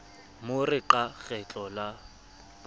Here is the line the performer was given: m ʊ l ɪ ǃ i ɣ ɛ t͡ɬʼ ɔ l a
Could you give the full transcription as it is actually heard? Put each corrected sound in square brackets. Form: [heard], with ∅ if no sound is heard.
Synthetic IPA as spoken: m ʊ [r] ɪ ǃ [a] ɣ ɛ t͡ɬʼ ɔ l a